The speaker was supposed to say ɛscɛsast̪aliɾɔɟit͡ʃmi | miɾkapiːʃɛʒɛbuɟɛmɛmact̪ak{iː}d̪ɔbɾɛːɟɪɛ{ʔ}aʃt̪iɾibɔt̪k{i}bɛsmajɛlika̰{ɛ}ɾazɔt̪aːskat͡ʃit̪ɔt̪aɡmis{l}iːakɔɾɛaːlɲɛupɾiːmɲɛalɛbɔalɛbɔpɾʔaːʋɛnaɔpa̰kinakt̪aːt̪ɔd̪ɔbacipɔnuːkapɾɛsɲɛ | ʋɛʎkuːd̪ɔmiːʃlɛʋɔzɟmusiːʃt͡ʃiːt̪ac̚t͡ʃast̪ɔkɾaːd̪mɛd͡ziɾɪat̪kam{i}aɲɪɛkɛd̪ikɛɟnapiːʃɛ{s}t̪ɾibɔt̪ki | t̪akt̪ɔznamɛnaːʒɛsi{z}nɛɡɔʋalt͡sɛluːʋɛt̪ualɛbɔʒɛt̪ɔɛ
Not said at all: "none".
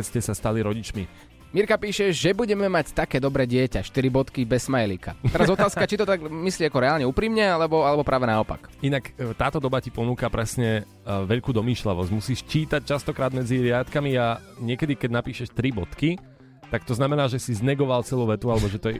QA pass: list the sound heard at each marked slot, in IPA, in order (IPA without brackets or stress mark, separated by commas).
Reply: ɛː, c, i, ɛ, l, i, ʃ, z